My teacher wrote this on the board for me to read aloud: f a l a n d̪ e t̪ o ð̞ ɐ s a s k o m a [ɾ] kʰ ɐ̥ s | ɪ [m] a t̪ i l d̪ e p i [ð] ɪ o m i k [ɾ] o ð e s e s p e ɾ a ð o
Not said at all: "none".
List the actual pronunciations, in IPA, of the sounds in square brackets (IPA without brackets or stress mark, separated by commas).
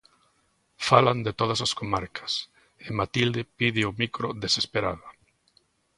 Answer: ɾ, m, ð, ɾ